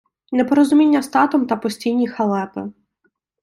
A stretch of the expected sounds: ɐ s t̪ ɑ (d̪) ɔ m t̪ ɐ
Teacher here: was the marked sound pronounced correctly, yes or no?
no